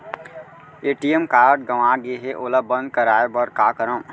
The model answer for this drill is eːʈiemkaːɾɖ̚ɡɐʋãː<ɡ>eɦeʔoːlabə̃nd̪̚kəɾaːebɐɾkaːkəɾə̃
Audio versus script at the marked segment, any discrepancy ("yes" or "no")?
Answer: no